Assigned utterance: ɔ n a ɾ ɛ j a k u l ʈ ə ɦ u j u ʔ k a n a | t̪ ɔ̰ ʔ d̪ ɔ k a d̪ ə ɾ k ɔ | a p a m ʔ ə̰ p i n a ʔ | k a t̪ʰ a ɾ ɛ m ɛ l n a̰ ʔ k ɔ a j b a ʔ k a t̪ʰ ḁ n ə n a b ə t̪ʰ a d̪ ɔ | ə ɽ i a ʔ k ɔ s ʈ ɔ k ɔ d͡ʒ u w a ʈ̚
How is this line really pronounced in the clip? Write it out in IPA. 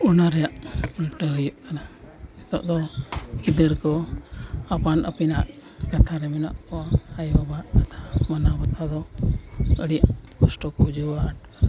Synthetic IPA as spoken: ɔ n a ɾ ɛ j a ʔ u l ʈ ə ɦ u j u ʔ k a n a | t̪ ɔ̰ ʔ d̪ ɔ k i d̪ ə ɾ k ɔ | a p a n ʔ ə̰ p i n a ʔ | k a t̪ʰ a ɾ ɛ m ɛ n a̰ ʔ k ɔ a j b a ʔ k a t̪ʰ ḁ m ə n a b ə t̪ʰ a d̪ ɔ | ə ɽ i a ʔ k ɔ s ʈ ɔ k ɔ d͡ʒ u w a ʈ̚